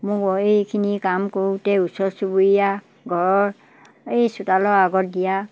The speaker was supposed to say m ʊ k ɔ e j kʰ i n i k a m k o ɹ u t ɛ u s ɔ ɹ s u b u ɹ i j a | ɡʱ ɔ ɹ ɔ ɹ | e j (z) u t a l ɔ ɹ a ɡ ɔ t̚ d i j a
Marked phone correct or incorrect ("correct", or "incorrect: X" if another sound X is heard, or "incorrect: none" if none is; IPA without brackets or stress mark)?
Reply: incorrect: s